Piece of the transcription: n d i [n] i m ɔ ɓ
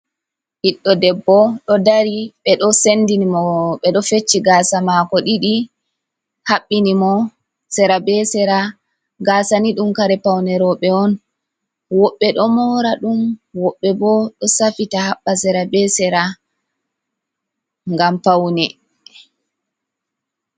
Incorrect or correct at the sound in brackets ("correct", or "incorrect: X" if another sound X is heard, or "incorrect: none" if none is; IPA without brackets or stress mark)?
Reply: correct